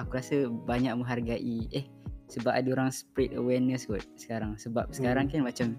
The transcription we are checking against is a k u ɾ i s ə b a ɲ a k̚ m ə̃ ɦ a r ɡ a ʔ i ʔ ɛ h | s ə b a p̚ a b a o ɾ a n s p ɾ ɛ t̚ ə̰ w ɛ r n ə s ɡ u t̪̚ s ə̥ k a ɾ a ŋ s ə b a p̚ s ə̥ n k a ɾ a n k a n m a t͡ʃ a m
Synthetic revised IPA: a k u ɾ a s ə b a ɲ a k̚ m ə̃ ɦ a r ɡ a ʔ i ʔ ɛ h | s ə b a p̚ a d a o ɾ a ŋ s p ɾ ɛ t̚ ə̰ w ɛ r n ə s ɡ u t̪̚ s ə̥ k a ɾ a ŋ s ə b a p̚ s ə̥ k a ɾ a ŋ k a n m a t͡ʃ a m